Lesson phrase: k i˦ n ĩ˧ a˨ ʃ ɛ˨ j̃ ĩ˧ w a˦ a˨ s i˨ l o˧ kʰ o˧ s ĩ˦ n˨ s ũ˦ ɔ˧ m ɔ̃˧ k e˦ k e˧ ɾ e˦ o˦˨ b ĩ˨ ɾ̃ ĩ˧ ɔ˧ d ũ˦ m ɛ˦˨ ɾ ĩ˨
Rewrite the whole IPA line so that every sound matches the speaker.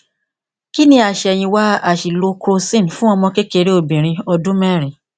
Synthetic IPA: k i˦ n ĩ˧ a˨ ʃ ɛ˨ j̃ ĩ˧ w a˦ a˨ ʃ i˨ l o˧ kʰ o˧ s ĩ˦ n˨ f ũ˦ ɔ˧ m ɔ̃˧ k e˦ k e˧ ɾ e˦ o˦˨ b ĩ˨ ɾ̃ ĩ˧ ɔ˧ d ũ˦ m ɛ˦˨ ɾ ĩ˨

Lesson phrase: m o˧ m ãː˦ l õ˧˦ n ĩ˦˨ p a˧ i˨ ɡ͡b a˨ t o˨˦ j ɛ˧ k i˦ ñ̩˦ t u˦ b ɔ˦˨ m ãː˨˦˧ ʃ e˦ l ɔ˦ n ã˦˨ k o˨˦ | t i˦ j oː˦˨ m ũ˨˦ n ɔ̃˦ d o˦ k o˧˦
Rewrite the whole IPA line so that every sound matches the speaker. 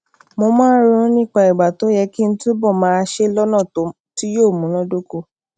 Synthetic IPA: m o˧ m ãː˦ ɾ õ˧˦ n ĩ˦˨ k͡p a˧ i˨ ɡ͡b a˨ t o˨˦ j ɛ˧ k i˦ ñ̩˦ t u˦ b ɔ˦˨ m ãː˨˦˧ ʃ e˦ l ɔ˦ n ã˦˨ t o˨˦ | t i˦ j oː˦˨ m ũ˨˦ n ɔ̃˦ d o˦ k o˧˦

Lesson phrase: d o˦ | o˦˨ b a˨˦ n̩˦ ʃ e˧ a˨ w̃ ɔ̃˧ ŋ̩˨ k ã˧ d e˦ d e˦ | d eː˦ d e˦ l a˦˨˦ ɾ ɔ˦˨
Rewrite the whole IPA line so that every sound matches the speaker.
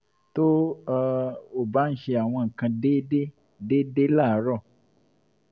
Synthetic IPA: t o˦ | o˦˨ b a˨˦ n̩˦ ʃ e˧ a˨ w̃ ɔ̃˧ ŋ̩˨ k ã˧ d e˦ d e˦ | d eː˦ d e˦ l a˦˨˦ ɾ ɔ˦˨

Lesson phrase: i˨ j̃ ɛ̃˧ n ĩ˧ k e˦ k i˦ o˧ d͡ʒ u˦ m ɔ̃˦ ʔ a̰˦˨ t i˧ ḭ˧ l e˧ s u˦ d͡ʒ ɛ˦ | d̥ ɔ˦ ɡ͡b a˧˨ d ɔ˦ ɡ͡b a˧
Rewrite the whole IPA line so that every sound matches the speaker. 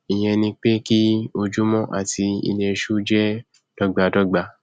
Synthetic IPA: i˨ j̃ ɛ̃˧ n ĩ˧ k͡p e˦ k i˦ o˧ d͡ʒ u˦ m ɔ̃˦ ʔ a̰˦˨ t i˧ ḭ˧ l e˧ ʃ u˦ d͡ʒ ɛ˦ | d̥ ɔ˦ ɡ͡b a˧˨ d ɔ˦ ɡ͡b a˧

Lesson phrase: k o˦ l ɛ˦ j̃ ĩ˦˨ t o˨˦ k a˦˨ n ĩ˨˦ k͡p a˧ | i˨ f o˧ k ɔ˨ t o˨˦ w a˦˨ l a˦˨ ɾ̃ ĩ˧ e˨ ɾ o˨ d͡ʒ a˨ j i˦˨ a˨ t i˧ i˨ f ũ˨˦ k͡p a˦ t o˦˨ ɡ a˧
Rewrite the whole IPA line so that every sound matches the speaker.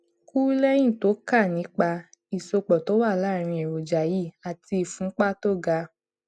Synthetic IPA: k u˦ l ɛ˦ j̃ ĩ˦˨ t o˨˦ k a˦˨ n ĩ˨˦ k͡p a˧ | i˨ s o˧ k͡p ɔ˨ t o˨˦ w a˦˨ l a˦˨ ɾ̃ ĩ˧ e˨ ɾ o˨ d͡ʒ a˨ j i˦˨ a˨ t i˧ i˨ f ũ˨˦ k͡p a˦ t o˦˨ ɡ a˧

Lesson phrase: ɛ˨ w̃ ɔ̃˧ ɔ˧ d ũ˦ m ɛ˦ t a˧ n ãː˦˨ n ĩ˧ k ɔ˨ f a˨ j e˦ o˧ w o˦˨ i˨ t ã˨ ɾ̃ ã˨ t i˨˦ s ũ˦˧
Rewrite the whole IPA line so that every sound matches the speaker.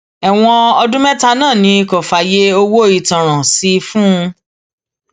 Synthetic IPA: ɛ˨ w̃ ɔ̃˧ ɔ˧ d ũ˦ m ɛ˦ t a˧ n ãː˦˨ n ĩ˧ k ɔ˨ f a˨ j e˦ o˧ w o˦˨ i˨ t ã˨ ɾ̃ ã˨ s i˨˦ f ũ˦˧

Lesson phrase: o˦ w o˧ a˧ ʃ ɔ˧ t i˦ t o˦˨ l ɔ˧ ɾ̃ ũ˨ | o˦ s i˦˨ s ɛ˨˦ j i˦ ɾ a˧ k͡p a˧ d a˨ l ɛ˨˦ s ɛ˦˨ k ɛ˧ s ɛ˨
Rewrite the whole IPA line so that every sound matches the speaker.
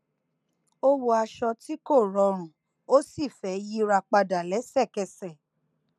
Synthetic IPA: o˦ w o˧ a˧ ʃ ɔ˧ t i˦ k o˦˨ ɾ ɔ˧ ɾ̃ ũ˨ | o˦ s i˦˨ f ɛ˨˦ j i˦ ɾ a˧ k͡p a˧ d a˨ l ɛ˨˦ s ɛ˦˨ k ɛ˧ s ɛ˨

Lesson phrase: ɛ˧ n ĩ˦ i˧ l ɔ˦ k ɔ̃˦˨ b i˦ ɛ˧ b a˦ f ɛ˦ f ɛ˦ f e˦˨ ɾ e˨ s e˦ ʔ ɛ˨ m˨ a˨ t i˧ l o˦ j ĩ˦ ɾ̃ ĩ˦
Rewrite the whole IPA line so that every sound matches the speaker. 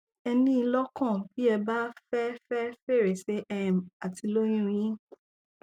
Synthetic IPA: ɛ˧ n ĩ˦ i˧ l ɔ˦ k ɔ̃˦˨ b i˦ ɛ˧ b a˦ f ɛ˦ f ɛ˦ f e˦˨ ɾ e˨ s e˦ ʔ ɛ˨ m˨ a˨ t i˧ l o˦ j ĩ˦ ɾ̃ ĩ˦

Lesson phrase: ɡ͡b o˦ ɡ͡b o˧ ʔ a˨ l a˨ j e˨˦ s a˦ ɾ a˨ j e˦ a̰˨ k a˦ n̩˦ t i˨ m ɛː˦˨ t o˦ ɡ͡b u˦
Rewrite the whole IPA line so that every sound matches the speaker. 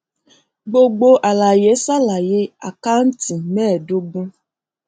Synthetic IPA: ɡ͡b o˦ ɡ͡b o˧ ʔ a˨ l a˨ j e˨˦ s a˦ l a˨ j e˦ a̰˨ k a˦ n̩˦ t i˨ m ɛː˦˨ d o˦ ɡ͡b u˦

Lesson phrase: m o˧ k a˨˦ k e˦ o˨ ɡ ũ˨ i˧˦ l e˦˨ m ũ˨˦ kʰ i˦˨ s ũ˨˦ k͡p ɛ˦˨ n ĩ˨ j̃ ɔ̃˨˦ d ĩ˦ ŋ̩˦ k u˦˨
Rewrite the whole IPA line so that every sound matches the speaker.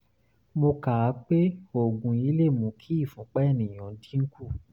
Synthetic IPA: m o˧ k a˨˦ k͡p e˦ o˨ ɡ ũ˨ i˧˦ l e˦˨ m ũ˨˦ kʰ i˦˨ f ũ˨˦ k͡p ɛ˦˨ n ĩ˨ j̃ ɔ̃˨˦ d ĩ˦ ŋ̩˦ k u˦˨

